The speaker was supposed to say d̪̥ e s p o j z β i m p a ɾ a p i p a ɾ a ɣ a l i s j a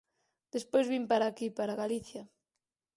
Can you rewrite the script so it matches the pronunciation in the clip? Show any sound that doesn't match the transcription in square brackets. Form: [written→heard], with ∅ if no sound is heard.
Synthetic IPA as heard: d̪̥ e s p o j z β i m p a ɾ a [p→k] i p a ɾ a ɣ a l i [s→θ] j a